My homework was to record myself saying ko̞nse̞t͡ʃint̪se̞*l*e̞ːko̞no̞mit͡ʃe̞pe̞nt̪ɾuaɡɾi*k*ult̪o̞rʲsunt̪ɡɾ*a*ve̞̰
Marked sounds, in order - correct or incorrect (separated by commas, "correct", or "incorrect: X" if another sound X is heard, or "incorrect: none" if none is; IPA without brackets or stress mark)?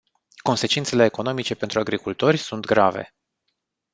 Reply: correct, correct, correct